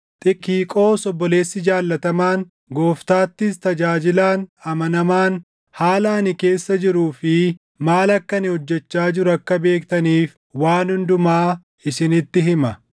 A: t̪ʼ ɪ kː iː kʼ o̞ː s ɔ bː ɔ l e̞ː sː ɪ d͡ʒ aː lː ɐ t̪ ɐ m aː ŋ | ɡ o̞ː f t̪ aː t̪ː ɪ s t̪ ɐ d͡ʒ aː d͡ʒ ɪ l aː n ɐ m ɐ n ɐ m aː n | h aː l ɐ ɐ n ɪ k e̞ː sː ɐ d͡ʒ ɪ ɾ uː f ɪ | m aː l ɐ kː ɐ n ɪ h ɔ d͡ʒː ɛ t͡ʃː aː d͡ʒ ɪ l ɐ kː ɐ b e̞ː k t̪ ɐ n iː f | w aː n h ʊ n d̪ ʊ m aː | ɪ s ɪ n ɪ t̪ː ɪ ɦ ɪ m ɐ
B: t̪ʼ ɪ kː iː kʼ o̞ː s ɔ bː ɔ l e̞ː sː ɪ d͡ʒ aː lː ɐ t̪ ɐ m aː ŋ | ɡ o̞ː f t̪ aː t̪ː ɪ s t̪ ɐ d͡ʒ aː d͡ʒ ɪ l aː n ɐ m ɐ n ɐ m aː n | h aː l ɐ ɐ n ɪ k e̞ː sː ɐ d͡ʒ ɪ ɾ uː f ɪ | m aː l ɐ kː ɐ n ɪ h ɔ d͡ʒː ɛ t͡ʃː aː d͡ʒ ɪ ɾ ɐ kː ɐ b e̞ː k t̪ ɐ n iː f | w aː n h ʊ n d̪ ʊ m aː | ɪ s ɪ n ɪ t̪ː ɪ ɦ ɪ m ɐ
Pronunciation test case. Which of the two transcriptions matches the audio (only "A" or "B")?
B